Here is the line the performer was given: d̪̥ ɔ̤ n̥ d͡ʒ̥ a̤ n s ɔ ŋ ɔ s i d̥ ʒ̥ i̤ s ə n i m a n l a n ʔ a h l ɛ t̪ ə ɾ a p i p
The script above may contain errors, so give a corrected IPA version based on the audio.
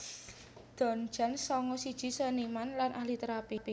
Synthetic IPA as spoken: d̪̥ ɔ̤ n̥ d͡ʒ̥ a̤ n s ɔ ŋ ɔ s i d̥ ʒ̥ i̤ s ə n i m a n l a n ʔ a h l i t̪ ə ɾ a p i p